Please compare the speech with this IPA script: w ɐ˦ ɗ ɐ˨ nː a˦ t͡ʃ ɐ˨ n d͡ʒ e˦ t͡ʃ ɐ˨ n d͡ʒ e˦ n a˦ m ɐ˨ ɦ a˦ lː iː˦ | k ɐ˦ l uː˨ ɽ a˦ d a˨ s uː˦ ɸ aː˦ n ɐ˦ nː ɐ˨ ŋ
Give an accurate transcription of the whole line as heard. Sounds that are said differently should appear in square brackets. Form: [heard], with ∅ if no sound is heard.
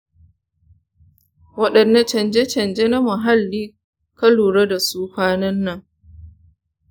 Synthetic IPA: w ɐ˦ ɗ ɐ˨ nː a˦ t͡ʃ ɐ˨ n d͡ʒ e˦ t͡ʃ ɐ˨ n d͡ʒ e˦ n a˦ m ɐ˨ ɦ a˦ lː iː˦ | k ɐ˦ l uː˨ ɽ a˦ d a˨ s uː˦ ɸ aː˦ n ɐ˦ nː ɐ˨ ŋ